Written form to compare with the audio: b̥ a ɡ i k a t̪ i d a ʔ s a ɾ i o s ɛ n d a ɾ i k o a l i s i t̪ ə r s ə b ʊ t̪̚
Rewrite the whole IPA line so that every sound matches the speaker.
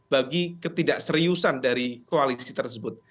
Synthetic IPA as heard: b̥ a ɡ i k ə t̪ i d a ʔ s ə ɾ i u s a n d a ɾ i k o a l i s i t̪ ə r s ə b ʊ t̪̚